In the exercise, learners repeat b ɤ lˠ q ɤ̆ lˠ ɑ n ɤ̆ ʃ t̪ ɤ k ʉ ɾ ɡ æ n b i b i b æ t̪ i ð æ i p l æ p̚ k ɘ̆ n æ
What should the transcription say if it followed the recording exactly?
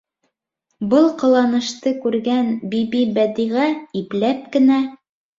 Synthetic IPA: b ɤ lˠ q ɤ̆ lˠ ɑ n ɤ̆ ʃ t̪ ɤ k ʉ ɾ ɡ æ n b i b i b æ d̪ i ʁ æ i p l æ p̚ k ɘ̆ n æ

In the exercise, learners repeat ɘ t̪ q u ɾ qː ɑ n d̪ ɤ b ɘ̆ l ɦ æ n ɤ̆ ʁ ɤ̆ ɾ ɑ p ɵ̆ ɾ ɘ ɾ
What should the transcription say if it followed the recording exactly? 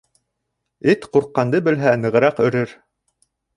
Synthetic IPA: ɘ t̪ q u ɾ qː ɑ n d̪ ɤ b ɘ̆ l ɦ æ n ɤ̆ ʁ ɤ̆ ɾ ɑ q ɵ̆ ɾ ɘ ɾ

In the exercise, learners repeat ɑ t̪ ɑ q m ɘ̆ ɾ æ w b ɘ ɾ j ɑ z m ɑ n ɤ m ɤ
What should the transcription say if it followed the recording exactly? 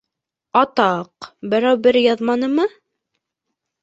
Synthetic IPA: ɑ t̪ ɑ q b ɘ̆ ɾ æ w b ɘ ɾ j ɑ ð m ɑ n ɤ m ɤ

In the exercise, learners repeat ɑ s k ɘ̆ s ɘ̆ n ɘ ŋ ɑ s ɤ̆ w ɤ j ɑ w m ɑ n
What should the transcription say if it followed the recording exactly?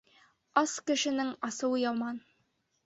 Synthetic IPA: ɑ s k ɘ̆ ʃ ɘ̆ n ɘ ŋ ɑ s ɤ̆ w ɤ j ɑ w m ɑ n

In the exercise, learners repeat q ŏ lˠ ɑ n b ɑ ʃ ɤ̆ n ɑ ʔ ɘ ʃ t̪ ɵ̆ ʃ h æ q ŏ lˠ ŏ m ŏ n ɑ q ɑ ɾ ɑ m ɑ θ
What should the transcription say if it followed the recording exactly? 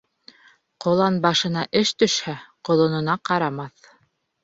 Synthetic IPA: q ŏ lˠ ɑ n b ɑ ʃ ɤ̆ n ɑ ʔ ɘ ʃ t̪ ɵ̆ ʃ h æ q ŏ lˠ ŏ n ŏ n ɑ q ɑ ɾ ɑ m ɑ θ

